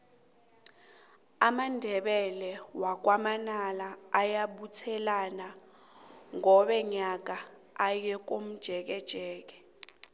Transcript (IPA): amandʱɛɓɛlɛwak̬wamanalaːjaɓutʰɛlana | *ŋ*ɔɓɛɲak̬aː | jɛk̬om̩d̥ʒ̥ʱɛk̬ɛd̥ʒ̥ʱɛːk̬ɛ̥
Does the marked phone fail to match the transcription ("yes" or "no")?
no